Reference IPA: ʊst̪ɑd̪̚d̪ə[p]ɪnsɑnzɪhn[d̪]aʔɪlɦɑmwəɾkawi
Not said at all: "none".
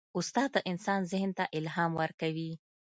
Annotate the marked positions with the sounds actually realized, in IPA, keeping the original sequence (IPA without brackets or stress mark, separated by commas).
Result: ʔ, t̪